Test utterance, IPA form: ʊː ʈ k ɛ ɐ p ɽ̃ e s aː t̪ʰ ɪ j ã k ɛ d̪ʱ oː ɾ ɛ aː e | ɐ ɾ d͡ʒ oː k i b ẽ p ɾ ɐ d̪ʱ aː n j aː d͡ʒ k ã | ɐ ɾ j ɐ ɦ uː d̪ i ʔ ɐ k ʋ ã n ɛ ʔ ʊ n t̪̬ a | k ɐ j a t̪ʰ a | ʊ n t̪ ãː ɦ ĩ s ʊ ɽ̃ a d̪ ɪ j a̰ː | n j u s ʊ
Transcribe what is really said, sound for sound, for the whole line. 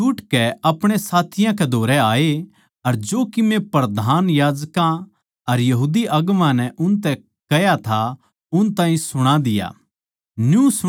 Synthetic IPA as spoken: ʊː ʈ k ɛ ɐ p ɽ̃ e s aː t̪ʰ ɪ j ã k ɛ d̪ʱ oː ɾ ɛ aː e | ɐ ɾ d͡ʒ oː k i m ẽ p ɾ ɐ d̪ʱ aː n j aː d͡ʒ k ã | ɐ ɾ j ɐ ɦ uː d̪ i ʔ ɐ ɡ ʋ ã n ɛ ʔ ʊ n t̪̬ ɛ | k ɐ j a t̪ʰ a | ʊ n t̪ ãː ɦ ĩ s ʊ ɽ̃ a d̪ ɪ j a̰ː | n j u s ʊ